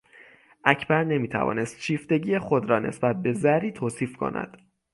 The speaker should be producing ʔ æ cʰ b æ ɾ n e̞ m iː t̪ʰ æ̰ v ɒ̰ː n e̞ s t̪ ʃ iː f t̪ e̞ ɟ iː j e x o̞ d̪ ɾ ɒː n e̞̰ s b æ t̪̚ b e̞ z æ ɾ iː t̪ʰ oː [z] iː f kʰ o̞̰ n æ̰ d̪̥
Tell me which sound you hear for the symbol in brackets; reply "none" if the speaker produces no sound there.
s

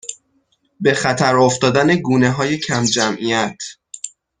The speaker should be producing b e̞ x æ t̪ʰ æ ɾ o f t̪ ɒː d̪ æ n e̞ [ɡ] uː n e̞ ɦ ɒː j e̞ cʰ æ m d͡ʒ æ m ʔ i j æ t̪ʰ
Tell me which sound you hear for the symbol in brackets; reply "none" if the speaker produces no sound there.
ɡ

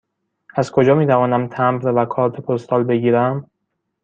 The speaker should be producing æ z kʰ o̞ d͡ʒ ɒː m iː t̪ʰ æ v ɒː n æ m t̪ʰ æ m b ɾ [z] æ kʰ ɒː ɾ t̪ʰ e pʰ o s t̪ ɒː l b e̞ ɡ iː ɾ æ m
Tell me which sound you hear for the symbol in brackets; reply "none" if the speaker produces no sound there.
v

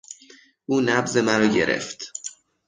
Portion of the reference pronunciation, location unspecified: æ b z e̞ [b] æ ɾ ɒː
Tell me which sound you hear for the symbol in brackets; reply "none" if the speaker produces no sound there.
m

